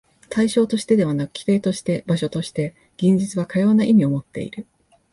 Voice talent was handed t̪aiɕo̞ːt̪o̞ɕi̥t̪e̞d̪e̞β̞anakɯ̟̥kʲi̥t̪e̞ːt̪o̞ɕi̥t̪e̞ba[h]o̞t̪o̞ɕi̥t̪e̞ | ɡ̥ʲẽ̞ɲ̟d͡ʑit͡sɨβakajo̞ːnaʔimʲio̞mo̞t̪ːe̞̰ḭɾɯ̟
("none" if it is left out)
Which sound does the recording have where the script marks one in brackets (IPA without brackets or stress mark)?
ɕ